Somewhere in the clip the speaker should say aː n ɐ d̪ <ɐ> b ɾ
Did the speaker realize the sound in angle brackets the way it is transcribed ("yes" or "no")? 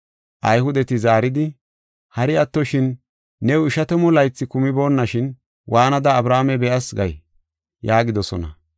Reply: no